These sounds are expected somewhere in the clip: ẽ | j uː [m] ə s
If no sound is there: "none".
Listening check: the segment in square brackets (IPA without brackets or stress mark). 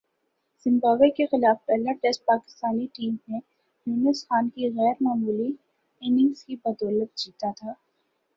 n